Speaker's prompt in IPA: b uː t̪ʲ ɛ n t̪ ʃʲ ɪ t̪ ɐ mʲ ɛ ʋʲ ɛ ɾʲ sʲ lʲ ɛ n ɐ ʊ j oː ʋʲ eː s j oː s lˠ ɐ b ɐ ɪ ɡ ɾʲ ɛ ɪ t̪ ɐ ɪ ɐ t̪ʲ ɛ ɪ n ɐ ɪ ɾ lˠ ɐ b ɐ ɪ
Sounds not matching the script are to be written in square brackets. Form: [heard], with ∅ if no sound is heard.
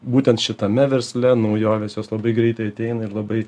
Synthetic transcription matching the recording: b uː t̪ʲ ɛ n t̪ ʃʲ ɪ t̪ ɐ mʲ ɛ ʋʲ ɛ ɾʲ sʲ lʲ ɛ n ɐ ʊ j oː ʋʲ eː s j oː s lˠ ɐ b ɐ ɪ ɡ ɾʲ ɛ ɪ t̪ ɐ ɪ ɐ t̪ʲ ɛ ɪ n ɐ ɪ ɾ lˠ ɐ b ɐ ɪ